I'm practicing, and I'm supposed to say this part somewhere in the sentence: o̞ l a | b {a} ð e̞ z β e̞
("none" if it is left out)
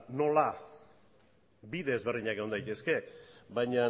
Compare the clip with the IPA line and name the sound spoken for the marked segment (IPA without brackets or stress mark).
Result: i